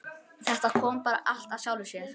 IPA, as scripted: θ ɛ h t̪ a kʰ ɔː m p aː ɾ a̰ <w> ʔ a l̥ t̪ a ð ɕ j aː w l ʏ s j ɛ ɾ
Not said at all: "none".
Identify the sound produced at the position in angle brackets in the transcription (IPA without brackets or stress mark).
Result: none